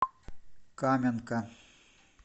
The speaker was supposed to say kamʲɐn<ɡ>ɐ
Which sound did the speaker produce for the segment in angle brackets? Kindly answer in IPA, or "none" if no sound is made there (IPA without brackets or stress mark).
k